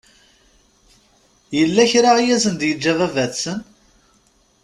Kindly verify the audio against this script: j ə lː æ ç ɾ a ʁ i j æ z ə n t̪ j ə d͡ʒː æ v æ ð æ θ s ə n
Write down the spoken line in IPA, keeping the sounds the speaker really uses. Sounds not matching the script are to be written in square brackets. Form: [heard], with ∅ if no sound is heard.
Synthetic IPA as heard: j ə lː æ ç ɾ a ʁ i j æ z ə n [d̪] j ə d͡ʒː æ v æ [v] æ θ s ə n